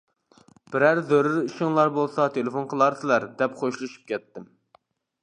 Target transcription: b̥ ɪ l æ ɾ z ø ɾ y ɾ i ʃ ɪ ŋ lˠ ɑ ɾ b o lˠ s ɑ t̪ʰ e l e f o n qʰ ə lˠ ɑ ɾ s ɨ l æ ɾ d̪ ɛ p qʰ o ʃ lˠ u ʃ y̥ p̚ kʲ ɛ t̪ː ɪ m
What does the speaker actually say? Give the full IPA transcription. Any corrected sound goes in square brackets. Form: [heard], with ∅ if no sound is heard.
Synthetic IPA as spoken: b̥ ɪ [ɾ] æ ɾ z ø ɾ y ɾ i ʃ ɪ ŋ lˠ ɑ ɾ b o lˠ s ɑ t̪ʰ e l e f o n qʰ ə lˠ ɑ ɾ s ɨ l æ ɾ d̪ ɛ p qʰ o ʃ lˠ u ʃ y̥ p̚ kʲ ɛ t̪ː ɪ m

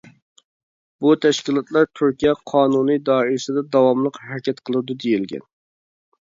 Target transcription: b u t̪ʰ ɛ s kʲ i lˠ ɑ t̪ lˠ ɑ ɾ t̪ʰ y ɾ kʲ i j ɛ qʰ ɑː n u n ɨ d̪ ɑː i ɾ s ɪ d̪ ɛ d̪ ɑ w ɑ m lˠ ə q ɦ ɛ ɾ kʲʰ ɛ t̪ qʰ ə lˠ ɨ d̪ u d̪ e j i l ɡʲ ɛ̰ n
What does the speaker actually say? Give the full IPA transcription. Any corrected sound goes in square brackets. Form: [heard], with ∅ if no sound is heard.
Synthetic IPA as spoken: b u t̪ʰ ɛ [ʃ] kʲ i lˠ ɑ t̪ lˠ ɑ ɾ t̪ʰ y ɾ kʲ i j ɛ qʰ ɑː n u n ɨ d̪ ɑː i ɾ s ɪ d̪ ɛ d̪ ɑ w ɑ m lˠ ə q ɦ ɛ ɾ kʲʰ ɛ t̪ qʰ ə lˠ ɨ d̪ u d̪ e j i l ɡʲ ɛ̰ n

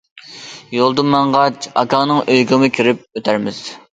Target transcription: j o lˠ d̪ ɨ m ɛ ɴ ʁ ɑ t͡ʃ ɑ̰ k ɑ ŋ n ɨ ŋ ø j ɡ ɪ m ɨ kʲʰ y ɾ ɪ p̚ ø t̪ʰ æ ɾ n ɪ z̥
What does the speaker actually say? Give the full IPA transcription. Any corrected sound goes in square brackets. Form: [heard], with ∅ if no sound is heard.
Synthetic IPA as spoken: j o lˠ d̪ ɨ m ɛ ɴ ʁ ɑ t͡ʃ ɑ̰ k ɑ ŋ n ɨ ŋ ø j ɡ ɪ m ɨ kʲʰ [i] ɾ ɪ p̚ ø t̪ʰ æ ɾ [m] ɪ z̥

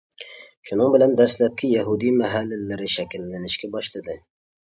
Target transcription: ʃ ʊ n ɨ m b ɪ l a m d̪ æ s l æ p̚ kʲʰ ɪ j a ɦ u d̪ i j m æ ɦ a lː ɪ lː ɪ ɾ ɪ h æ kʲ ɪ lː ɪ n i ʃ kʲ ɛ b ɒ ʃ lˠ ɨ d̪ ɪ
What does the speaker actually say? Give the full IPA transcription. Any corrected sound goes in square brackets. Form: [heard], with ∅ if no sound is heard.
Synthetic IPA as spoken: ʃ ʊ n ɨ [ŋ] b ɪ l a [n] d̪ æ s l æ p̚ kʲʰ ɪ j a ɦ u d̪ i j m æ ɦ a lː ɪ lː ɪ ɾ ɪ [ʃ] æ kʲ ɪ lː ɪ n [ɪ] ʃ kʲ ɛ b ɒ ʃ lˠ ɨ d̪ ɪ

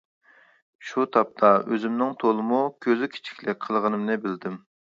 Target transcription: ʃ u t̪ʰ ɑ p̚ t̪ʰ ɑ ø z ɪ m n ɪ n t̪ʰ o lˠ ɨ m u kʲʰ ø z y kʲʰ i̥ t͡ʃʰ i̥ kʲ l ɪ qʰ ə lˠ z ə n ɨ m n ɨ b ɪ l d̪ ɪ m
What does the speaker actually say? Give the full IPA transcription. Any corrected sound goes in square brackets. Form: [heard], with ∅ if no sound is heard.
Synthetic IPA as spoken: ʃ u t̪ʰ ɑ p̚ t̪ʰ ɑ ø z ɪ m n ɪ [ŋ] t̪ʰ o lˠ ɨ m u kʲʰ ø z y kʲʰ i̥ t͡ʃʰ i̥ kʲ l ɪ qʰ ə lˠ [ʁ] ə n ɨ m n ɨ b ɪ l d̪ ɪ m

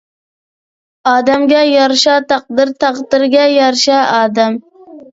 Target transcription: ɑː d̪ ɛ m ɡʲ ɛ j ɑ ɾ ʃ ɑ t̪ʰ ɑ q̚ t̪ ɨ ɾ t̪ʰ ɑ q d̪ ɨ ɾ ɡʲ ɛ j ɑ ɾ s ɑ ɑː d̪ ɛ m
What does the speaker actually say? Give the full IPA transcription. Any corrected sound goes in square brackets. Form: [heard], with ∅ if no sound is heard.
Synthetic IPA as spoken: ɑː d̪ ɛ m ɡʲ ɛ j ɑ ɾ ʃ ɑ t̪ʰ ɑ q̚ [d̪] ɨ ɾ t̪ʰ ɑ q d̪ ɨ ɾ ɡʲ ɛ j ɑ ɾ [ʃ] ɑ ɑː d̪ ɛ m

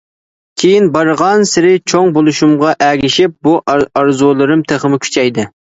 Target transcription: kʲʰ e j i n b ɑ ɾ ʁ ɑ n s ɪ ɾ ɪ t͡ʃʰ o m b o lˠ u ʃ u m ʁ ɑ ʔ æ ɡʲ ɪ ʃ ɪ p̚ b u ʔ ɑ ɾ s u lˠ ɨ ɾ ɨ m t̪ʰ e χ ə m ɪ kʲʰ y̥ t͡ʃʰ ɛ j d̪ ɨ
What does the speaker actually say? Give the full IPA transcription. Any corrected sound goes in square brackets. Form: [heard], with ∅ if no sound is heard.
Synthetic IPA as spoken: kʲʰ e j i n b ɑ ɾ ʁ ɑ n s ɪ ɾ ɪ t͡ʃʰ o [ŋ] b o lˠ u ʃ u m ʁ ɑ ʔ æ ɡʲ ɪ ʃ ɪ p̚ b u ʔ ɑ ɾ [z] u lˠ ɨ ɾ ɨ m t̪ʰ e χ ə m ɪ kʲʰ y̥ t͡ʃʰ ɛ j d̪ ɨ

